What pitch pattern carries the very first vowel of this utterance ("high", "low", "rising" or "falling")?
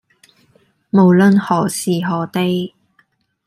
low